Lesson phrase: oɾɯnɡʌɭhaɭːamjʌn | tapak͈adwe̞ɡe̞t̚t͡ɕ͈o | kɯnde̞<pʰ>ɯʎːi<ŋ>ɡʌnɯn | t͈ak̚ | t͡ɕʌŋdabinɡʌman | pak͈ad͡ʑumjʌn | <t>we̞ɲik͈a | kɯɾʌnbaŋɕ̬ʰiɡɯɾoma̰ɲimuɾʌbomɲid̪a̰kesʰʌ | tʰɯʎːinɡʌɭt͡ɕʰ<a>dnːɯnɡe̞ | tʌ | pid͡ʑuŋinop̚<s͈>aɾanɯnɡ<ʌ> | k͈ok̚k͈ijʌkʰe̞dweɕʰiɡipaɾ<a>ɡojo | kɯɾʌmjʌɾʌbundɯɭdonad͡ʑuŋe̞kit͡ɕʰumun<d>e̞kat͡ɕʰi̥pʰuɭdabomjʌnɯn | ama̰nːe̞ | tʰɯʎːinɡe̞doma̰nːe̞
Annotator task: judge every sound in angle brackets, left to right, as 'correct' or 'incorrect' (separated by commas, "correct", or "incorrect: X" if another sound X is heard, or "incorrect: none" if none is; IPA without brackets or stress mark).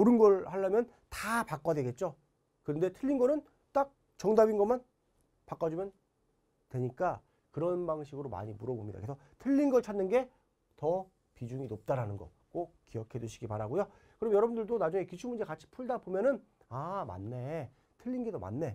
incorrect: tʰ, incorrect: n, correct, correct, incorrect: t͈, correct, correct, incorrect: d͡ʑ